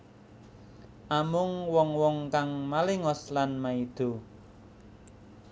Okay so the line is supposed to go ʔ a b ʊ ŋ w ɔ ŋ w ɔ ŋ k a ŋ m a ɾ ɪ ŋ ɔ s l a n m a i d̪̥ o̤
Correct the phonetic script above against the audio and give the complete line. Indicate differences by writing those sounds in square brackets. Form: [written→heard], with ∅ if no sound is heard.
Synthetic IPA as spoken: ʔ a [b→m] ʊ ŋ w ɔ ŋ w ɔ ŋ k a ŋ m a [ɾ→l] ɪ ŋ ɔ s l a n m a i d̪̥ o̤